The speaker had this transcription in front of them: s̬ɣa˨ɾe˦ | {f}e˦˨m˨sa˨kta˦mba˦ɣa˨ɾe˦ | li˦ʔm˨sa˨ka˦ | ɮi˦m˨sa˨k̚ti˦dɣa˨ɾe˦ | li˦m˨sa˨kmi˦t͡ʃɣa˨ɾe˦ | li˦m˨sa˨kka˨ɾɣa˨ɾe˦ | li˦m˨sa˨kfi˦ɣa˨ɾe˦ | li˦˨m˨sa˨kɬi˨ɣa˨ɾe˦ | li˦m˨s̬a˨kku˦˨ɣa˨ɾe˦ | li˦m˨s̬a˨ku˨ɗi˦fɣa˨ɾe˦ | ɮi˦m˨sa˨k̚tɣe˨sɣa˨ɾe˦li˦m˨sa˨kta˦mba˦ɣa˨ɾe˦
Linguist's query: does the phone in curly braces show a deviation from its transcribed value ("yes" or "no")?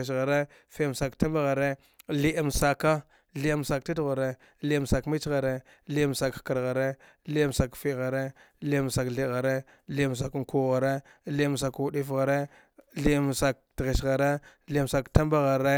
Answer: no